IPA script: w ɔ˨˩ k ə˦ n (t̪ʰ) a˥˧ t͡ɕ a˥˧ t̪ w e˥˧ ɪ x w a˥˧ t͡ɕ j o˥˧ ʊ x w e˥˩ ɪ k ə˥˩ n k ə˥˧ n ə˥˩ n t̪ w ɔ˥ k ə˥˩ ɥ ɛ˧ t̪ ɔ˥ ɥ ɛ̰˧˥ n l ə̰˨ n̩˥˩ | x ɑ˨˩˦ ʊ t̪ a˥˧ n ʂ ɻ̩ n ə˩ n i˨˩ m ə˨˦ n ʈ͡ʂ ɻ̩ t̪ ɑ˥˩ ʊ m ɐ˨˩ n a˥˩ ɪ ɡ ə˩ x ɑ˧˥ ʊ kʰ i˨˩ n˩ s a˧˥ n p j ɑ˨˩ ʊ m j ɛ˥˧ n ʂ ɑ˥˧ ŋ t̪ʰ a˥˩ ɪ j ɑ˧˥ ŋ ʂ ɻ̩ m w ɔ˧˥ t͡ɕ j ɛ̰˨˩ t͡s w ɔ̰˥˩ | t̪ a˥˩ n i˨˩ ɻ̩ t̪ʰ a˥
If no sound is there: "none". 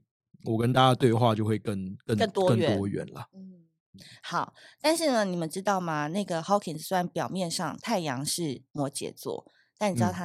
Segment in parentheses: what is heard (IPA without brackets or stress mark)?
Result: t̪